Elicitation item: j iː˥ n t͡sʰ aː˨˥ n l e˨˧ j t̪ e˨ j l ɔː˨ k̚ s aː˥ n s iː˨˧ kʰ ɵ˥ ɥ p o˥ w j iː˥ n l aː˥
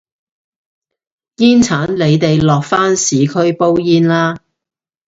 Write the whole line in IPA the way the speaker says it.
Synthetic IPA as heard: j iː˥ n t͡sʰ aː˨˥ n l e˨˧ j t̪ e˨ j l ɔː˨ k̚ f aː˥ n s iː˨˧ kʰ ɵ˥ ɥ p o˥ w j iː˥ n l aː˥